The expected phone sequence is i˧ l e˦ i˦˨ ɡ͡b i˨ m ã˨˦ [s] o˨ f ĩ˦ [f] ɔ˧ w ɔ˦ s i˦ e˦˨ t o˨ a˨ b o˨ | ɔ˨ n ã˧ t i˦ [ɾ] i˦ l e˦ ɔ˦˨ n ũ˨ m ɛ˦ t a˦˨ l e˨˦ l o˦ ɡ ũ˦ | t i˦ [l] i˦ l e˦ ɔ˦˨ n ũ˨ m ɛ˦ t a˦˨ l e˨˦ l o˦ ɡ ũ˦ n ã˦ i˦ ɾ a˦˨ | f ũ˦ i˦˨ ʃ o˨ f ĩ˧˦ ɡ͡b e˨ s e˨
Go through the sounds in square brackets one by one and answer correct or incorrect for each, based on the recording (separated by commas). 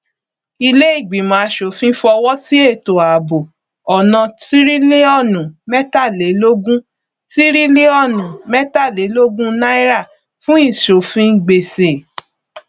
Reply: incorrect, correct, correct, incorrect